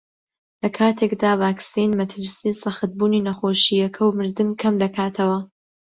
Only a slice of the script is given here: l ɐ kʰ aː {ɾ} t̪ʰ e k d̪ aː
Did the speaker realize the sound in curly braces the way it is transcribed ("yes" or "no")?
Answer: no